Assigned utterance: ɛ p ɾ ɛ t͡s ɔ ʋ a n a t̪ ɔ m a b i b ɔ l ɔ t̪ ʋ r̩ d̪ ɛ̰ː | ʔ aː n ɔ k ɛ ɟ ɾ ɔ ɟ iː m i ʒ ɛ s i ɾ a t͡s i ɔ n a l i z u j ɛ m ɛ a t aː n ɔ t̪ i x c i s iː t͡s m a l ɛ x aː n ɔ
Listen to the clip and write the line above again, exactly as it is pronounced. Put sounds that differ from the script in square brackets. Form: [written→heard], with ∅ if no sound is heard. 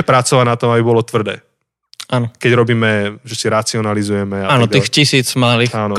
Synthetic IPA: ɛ p ɾ [ɛ→a] t͡s ɔ ʋ a n a t̪ ɔ m a b i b ɔ l ɔ t̪ ʋ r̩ d̪ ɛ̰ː | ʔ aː n ɔ k ɛ ɟ ɾ ɔ [ɟ→b] iː m [i→ɛ] ʒ ɛ s i ɾ a t͡s i ɔ n a l i z u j ɛ m ɛ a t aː n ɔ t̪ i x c i s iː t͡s m a l [ɛ→i] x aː n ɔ